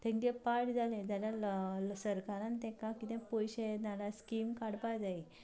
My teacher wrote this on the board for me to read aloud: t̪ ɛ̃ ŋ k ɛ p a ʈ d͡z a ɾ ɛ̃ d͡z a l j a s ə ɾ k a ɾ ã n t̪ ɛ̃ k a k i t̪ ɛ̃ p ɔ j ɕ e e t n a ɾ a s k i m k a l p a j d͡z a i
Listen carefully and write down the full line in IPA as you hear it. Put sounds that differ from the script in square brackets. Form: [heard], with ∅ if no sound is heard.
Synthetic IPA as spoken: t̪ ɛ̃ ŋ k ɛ p a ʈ d͡z a [l] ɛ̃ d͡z a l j a s ə ɾ k a ɾ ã n t̪ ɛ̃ k a k i t̪ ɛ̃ p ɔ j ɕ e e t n a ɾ a s k i m k a [ɽ] p a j d͡z a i